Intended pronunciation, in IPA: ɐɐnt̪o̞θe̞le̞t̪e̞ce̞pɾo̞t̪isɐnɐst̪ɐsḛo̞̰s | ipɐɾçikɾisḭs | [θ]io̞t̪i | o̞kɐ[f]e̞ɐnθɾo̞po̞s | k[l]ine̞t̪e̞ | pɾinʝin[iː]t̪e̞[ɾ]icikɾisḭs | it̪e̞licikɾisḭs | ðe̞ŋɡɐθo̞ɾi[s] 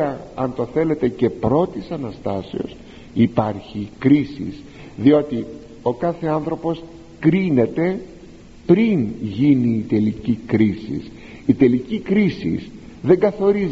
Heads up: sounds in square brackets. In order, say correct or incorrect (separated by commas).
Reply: incorrect, incorrect, incorrect, correct, incorrect, incorrect